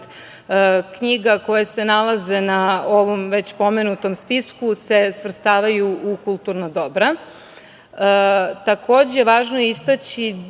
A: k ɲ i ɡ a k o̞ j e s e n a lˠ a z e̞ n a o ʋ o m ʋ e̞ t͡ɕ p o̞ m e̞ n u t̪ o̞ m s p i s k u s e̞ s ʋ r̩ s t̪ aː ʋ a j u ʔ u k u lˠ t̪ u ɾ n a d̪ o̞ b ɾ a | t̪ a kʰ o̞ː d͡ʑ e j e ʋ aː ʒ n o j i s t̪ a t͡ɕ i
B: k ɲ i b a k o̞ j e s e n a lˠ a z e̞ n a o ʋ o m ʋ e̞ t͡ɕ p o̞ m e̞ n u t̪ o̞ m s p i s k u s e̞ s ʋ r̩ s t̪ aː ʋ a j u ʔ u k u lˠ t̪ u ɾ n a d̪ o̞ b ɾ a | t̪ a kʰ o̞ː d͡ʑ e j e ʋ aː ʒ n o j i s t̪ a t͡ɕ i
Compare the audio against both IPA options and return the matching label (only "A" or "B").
A